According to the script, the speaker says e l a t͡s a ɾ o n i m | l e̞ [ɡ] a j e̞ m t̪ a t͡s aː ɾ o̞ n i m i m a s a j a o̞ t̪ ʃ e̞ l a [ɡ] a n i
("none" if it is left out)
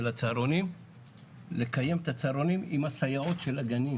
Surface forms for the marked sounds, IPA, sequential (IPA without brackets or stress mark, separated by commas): k, ɡ